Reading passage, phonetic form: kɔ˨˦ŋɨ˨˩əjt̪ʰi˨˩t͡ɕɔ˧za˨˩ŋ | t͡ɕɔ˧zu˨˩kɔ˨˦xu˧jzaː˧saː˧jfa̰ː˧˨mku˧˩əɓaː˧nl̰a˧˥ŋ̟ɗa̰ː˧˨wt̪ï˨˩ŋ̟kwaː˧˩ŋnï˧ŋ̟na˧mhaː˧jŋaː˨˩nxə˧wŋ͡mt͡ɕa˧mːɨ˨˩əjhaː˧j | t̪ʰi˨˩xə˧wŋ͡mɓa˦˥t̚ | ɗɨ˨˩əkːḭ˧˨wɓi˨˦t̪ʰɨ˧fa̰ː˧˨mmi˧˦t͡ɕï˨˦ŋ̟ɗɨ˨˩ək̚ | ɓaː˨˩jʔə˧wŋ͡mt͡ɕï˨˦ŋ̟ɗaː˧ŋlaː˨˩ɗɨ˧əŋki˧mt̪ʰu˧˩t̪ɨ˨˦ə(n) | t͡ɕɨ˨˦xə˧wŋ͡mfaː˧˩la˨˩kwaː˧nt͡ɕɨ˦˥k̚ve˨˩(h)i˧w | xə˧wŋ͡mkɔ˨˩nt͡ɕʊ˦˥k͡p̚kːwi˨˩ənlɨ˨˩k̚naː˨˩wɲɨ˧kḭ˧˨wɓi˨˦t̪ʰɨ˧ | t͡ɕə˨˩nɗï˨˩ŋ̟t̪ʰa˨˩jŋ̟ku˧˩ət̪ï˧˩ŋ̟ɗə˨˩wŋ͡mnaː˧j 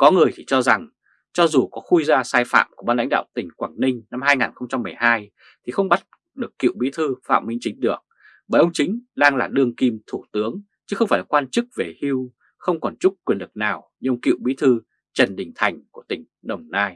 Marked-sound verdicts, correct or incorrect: incorrect: ŋ, correct

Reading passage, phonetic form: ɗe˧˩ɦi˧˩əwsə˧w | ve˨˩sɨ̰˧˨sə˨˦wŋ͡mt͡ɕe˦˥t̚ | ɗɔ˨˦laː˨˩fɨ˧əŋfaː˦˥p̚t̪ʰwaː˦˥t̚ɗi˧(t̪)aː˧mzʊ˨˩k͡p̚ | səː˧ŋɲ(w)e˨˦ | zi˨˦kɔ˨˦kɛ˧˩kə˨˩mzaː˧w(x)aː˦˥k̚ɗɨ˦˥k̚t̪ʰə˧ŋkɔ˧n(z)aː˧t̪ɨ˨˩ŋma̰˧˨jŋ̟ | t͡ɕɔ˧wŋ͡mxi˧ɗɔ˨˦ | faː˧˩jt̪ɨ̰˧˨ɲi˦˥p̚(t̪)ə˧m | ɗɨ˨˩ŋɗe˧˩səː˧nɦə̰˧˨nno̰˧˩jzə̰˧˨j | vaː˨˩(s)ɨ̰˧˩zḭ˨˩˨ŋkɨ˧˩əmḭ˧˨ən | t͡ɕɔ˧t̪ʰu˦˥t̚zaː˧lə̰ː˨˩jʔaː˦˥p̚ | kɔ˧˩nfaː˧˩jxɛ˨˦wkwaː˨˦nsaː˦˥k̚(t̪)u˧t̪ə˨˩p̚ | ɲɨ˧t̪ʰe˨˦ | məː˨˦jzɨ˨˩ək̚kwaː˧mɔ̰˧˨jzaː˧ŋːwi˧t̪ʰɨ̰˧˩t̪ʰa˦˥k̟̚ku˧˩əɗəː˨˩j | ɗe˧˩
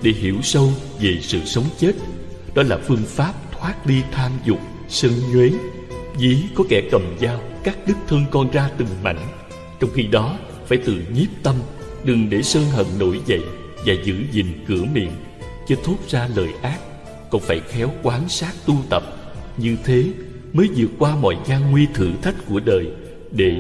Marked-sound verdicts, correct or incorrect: incorrect: t̪ʰ, correct, incorrect: k, correct, correct, incorrect: z, correct

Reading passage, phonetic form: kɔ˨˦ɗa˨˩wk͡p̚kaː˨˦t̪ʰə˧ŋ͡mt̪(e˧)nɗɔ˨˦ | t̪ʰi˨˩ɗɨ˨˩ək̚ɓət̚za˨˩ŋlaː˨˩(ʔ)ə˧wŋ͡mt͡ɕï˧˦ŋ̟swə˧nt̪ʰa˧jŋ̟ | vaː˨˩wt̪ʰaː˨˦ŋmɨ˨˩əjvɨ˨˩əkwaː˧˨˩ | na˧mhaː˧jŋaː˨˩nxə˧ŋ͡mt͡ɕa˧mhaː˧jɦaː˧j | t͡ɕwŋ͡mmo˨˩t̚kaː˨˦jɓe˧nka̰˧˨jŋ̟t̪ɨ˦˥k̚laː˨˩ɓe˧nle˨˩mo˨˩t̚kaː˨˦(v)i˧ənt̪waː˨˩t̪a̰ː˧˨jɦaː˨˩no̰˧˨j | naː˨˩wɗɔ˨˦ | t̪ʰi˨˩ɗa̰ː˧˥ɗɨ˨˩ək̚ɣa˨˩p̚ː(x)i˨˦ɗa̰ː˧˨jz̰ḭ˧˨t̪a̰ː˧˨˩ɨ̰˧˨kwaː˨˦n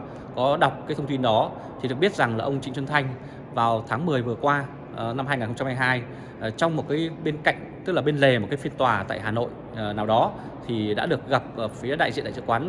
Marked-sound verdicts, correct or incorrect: incorrect: i˧, correct, incorrect: f, incorrect: f

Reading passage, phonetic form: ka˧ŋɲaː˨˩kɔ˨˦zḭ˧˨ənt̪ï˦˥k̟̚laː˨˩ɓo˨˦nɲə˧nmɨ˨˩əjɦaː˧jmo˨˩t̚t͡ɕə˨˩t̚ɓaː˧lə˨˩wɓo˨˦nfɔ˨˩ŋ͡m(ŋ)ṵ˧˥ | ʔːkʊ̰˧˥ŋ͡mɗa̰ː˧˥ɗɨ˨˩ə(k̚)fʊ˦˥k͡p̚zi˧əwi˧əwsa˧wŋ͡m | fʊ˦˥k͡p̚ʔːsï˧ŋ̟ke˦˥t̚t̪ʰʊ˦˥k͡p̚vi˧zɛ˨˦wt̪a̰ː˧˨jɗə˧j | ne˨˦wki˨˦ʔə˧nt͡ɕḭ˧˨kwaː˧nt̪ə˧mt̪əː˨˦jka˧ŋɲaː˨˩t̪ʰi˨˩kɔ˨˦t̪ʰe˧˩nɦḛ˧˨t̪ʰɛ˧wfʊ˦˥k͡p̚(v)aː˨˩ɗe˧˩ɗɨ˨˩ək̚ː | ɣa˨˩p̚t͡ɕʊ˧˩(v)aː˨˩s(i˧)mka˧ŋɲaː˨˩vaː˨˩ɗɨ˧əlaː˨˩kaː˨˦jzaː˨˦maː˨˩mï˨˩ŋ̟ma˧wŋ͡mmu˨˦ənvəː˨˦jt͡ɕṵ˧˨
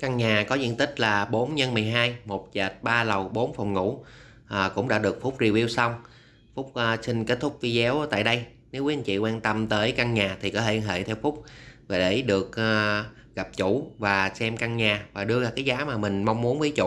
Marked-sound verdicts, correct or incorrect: correct, correct, correct, correct, incorrect: ɛ˧

